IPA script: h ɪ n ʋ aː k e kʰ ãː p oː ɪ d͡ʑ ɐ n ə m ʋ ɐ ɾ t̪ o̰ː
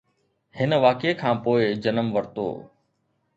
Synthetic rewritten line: h ɪ n ʋ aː k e kʰ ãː p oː ɪ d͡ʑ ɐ n ə m ʋ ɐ ɾ t̪ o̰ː

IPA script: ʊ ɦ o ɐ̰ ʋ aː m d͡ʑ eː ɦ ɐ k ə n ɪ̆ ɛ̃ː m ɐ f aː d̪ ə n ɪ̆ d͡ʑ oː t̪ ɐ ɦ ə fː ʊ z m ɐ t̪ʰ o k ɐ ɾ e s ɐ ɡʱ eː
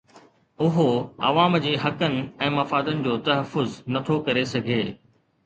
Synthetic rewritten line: ʊ ɦ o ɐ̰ ʋ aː m d͡ʑ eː ɦ ɐ k ə n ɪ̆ ɛ̃ː m ɐ f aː d̪ ə n ɪ̆ d͡ʑ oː t̪ ɐ ɦ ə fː ʊ z n ɐ t̪ʰ o k ɐ ɾ e s ɐ ɡʱ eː

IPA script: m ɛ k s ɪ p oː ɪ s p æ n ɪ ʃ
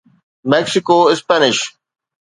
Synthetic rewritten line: m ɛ k s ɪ k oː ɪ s p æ n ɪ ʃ

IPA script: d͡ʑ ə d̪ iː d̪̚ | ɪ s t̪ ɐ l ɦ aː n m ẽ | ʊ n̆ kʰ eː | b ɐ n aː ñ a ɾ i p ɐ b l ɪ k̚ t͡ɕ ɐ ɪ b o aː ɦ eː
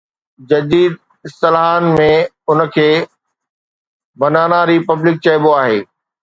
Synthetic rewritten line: d͡ʑ ɐ d̪ iː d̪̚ | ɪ s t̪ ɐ l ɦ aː n m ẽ | ʊ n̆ kʰ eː | b ɐ n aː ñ a ɾ i p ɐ b l ɪ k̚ t͡ɕ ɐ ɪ b o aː ɦ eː

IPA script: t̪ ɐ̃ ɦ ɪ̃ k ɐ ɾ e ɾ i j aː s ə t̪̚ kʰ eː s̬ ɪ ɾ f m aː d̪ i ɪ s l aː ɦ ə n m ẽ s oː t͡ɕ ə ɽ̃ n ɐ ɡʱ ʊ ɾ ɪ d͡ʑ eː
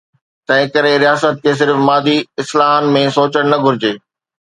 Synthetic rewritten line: t̪ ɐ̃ ɦ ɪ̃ k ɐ ɾ e ɾ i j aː s ə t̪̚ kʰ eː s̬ ɪ ɾ f m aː d̪ i ɪ s l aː ɦ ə n m ẽ s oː t͡ɕ ə ɽ̃ n ɐ ɡʱ ʊ ɾ ɪ d͡ʑ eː

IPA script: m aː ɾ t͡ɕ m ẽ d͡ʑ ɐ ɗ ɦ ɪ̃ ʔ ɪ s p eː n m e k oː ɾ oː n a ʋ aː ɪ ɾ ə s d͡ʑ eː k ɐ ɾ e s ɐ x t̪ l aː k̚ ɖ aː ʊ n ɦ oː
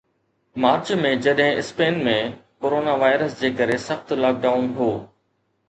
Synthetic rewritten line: m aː ɾ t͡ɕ m ẽ d͡ʑ ɐ ɗ ɦ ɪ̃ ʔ ɪ s p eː n m ẽ k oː ɾ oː n a ʋ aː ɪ ɾ ə s d͡ʑ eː k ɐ ɾ e s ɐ x t̪ l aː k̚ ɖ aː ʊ n ɦ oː

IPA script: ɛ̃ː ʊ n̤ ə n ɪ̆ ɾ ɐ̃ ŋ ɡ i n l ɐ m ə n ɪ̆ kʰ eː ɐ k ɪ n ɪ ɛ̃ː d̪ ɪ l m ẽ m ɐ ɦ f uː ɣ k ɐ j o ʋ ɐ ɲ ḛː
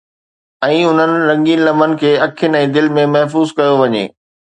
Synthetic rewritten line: ɛ̃ː ʊ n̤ ə n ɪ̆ ɾ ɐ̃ ŋ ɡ i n l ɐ m ə n ɪ̆ kʰ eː ɐ kʰ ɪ n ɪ ɛ̃ː d̪ ɪ l m ẽ m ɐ ɦ f uː z k ɐ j o ʋ ɐ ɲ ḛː

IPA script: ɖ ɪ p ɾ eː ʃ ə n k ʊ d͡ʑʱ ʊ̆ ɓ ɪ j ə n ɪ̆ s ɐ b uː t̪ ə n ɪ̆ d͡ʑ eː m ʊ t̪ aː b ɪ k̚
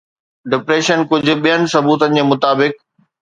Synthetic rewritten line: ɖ ɪ p ɾ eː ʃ ə n k ʊ d͡ʑʱ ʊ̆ ɓ i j ə n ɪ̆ s ɐ b uː t̪ ə n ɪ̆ d͡ʑ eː m ʊ t̪ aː b ɪ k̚

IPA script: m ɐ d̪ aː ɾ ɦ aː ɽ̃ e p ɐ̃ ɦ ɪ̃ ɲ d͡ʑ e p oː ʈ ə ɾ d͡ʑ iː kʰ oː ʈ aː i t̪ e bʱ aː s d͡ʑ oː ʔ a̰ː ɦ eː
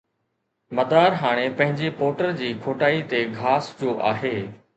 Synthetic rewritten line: m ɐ d̪ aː ɾ ɦ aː ɽ̃ e p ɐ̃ ɦ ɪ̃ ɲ d͡ʑ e p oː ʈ ə ɾ d͡ʑ iː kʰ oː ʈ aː i t̪ e ɡʱ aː s d͡ʑ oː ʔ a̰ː ɦ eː

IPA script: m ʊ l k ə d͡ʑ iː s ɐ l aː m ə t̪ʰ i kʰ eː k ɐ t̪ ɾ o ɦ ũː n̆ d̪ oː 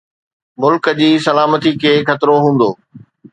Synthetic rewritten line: m ʊ l k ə d͡ʑ iː s ɐ l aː m ə t̪ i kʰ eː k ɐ t̪ ɾ o ɦ ũː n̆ d̪ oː

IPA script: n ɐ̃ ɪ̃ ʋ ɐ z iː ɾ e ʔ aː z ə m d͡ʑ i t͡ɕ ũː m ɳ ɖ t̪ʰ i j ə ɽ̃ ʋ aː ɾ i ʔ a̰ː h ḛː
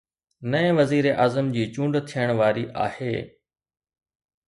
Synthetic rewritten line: n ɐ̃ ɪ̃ ʋ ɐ z iː ɾ e ʔ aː z ə m d͡ʑ iː t͡ɕ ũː ɳ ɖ t̪ʰ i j ə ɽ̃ ʋ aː ɾ i ʔ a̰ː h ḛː

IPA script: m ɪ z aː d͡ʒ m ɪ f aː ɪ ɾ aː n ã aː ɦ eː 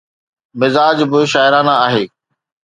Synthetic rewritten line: m ɪ z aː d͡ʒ b ɪ ʃ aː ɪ ɾ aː n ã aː ɦ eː

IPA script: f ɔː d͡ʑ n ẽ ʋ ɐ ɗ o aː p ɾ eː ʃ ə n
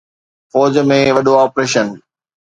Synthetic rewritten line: f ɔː d͡ʑ m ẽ ʋ ɐ ɗ o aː p ɾ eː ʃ ə n

